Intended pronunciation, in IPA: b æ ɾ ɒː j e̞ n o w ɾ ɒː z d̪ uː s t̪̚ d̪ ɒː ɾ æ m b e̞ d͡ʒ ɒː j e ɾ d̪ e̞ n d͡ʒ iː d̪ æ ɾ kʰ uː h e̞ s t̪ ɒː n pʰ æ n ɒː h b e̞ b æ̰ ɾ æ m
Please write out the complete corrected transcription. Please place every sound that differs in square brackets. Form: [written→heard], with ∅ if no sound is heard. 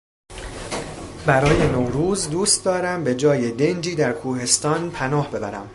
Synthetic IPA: b æ ɾ ɒː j e̞ n o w ɾ [ɒː→uː] z d̪ uː s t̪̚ d̪ ɒː ɾ æ m b e̞ d͡ʒ ɒː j e [ɾ→∅] d̪ e̞ n d͡ʒ iː d̪ æ ɾ kʰ uː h e̞ s t̪ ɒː n pʰ æ n ɒː h b e̞ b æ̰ ɾ æ m